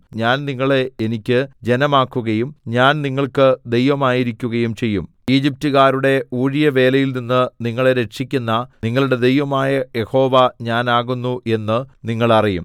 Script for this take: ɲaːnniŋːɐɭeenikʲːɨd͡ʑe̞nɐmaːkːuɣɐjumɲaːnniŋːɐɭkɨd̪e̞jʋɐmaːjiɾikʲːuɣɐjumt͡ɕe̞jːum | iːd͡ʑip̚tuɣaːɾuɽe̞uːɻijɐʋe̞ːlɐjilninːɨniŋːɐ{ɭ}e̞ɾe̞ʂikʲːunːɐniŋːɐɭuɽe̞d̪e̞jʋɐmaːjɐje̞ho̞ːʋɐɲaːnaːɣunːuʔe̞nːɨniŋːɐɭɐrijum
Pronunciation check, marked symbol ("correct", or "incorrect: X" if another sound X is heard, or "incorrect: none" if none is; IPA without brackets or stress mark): correct